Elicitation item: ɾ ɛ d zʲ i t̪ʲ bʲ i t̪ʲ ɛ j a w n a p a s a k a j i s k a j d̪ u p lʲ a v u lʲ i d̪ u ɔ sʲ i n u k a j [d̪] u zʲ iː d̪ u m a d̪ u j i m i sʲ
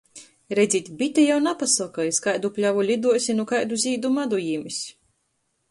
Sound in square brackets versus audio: correct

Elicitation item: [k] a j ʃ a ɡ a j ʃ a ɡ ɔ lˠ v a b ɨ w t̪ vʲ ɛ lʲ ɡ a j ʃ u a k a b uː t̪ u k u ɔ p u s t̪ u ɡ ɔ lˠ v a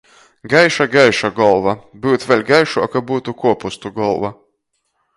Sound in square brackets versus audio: incorrect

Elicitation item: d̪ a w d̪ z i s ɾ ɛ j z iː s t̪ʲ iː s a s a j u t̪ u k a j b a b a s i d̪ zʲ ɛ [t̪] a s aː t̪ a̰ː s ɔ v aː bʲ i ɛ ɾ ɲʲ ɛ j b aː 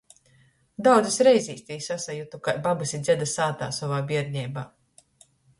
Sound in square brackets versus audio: incorrect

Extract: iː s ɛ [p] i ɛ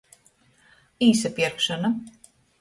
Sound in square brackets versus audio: correct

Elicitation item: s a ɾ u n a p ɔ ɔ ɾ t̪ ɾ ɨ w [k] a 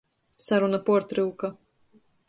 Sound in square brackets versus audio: correct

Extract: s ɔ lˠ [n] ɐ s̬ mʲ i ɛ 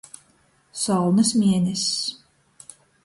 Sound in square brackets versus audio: correct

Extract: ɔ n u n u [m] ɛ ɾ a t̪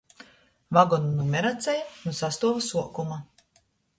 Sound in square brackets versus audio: correct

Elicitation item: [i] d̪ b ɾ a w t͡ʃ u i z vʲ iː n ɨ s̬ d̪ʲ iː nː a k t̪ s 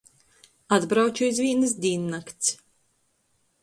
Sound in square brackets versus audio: incorrect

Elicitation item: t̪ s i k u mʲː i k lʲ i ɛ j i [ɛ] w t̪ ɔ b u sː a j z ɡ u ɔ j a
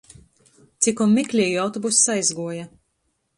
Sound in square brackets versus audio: incorrect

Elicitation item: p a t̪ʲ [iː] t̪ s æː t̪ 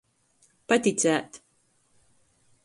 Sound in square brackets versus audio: incorrect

